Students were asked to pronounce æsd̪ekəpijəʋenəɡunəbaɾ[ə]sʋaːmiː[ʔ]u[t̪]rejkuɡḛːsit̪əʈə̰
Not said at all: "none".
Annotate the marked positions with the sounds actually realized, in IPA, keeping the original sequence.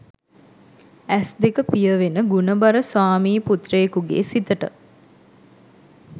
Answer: ə, p, t̪

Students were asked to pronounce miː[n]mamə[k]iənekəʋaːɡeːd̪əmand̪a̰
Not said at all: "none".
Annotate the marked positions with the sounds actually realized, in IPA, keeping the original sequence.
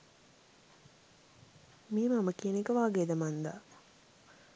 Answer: none, k

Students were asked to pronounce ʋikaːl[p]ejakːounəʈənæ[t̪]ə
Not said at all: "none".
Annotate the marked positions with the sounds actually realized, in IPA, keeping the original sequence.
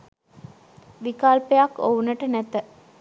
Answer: p, t̪

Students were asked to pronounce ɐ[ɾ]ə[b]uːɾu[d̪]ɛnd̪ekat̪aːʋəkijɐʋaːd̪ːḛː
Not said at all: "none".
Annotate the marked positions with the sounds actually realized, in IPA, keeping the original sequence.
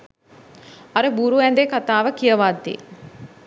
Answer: ɾ, b, none

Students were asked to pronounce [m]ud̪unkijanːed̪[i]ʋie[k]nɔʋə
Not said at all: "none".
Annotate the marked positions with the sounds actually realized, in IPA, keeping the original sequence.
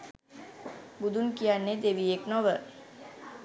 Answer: b, e, k

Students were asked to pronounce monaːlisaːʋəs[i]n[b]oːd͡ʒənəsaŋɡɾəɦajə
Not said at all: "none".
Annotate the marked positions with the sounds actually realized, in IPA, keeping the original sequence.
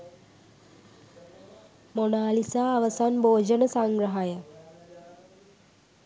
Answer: a, b

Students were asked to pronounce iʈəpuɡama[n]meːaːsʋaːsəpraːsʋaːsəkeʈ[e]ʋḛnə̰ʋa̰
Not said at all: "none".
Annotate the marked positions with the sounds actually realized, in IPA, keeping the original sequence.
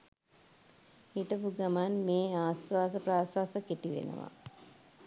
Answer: n, i

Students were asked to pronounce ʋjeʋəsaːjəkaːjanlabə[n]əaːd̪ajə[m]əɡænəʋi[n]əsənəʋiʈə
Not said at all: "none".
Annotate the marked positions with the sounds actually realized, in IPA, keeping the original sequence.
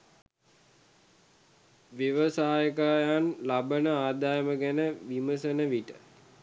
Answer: n, m, m

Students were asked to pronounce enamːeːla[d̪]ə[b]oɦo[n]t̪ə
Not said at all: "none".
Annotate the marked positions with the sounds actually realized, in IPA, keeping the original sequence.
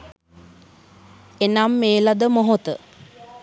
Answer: d̪, m, none

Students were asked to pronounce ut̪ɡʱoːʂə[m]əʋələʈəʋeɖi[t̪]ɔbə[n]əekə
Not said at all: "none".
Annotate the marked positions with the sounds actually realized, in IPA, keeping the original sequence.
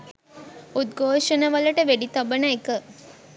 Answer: n, t̪, n

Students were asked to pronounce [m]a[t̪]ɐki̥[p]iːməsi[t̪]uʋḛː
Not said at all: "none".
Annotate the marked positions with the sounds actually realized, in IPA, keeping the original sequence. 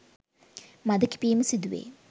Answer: m, d̪, p, d̪

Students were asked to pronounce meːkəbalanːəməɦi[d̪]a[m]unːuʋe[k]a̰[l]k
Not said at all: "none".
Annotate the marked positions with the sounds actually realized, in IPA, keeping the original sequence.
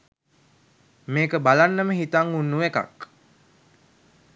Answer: t̪, ŋ, k, none

